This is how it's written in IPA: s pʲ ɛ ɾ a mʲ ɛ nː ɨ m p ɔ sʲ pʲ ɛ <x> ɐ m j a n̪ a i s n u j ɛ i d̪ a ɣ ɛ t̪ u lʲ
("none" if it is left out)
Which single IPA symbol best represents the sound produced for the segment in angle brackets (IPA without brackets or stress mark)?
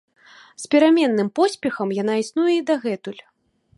x